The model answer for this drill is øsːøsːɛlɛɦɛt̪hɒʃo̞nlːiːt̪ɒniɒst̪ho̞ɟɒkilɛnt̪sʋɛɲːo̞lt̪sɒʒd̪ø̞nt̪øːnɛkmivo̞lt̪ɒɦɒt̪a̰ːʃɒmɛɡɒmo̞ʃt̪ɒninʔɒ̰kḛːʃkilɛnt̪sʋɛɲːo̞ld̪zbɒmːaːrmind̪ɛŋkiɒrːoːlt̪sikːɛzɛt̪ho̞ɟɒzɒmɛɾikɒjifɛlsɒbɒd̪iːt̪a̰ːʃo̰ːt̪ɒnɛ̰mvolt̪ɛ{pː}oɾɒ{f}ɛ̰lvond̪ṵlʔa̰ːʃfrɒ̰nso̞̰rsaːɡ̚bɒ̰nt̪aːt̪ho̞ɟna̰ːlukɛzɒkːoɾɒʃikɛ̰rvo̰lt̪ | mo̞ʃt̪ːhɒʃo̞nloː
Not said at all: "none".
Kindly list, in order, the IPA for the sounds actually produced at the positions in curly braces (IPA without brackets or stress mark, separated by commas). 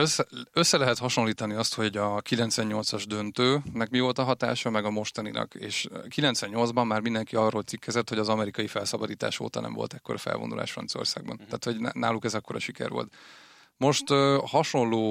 kː, f